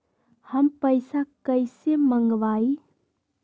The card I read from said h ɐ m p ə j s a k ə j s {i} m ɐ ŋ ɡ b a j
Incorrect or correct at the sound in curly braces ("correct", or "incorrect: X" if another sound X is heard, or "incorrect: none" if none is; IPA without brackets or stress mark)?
incorrect: e